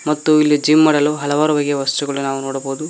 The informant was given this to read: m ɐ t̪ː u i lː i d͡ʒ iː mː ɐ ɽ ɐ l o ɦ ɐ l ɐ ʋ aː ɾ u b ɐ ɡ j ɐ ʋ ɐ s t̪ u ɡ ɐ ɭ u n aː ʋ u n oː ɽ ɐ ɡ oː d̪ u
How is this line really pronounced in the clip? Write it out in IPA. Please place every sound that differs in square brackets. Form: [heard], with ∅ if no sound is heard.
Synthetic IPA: m ɐ t̪ː u i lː i d͡ʒ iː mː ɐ ɽ ɐ l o ɦ ɐ l ɐ ʋ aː ɾ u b ɐ ɡ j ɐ ʋ ɐ s t̪ u ɡ ɐ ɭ u n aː ʋ u n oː ɽ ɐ [b] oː d̪ u